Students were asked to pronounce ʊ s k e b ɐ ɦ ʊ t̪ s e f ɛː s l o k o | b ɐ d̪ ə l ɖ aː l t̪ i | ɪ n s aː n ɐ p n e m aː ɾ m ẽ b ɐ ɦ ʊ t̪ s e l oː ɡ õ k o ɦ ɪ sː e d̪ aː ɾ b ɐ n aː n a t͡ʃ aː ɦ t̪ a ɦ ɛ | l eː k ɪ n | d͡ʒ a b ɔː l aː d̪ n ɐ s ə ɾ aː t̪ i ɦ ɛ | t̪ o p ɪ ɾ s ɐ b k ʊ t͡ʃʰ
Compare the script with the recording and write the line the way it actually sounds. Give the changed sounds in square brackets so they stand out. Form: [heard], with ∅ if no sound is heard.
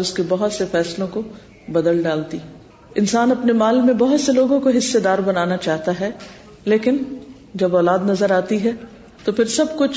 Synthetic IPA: ʊ s k e b ɐ ɦ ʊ t̪ s e f ɛː s l [õ] k o | b ɐ d̪ ə l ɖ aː l t̪ i | ɪ n s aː n ɐ p n e m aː [l] m ẽ b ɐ ɦ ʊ t̪ s e l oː ɡ õ k o ɦ ɪ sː e d̪ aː ɾ b ɐ n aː n a t͡ʃ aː ɦ t̪ a ɦ ɛ | l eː k ɪ n | d͡ʒ [ɐ] b ɔː l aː d̪ n ɐ [z] ə ɾ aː t̪ i ɦ ɛ | t̪ o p ɪ ɾ s ɐ b k ʊ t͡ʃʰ